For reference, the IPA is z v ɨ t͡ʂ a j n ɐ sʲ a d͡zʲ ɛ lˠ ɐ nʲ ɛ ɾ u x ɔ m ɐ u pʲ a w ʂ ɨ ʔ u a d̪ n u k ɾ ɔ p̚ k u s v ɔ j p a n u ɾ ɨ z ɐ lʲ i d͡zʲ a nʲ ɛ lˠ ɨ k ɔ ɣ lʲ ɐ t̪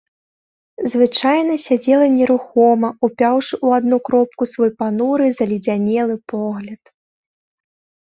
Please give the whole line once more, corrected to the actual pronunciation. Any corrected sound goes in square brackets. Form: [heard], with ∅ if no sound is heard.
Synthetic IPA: z v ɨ t͡ʂ a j n ɐ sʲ a d͡zʲ ɛ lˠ ɐ nʲ ɛ ɾ u x ɔ m ɐ u pʲ a w ʂ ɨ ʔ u a d̪ n u k ɾ ɔ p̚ k u s v ɔ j p a n u ɾ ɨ z ɐ lʲ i d͡zʲ a nʲ ɛ lˠ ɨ [p] ɔ ɣ lʲ ɐ t̪